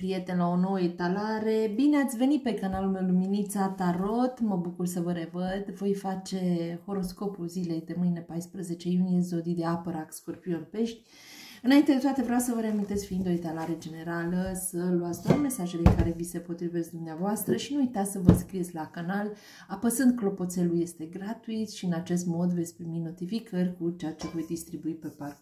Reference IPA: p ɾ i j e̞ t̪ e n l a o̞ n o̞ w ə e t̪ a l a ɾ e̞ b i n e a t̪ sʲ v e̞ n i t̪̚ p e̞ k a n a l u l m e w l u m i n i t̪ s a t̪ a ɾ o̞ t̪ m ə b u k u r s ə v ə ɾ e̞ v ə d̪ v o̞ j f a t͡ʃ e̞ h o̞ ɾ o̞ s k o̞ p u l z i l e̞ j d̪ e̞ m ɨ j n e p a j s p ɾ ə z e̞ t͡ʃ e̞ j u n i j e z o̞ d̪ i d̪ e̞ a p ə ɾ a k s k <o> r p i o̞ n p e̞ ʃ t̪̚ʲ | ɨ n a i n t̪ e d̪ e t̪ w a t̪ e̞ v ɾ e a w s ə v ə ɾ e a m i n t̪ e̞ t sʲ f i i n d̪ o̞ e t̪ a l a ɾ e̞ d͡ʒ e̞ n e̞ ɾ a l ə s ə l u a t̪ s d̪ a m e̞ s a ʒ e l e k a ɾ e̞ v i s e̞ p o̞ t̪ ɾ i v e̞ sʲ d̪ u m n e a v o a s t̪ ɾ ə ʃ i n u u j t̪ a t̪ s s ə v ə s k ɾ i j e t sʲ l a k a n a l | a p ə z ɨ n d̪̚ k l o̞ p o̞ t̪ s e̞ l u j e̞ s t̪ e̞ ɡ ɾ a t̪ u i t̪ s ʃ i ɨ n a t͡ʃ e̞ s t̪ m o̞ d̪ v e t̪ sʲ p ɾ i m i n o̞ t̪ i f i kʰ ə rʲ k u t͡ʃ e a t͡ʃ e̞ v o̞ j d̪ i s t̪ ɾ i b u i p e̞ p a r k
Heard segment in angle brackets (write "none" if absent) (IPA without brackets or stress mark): o